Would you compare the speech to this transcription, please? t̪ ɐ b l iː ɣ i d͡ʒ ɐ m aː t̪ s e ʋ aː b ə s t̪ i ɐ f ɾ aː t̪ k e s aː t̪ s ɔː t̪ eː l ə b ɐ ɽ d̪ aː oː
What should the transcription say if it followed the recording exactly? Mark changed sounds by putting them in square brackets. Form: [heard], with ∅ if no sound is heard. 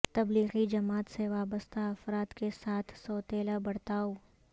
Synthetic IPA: t̪ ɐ b l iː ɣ i d͡ʒ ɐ m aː t̪ s e ʋ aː b ə s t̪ [a] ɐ f ɾ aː t̪ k e s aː [t̪ʰ] s ɔː t̪ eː l [a] b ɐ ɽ [t̪] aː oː